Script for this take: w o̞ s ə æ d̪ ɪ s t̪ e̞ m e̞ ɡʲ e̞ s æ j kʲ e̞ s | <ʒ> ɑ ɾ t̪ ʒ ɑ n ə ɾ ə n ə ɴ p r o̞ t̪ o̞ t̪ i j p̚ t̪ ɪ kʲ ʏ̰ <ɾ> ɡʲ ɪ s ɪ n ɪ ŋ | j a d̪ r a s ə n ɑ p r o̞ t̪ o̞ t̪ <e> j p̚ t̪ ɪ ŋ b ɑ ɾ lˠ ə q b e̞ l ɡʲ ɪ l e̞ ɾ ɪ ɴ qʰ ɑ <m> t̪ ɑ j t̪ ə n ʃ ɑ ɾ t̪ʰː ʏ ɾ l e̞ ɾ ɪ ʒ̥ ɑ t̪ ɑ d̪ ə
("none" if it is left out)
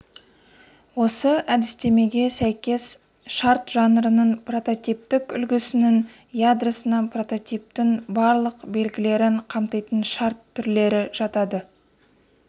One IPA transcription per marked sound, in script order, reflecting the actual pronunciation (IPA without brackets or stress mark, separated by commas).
ʃ, l, i, m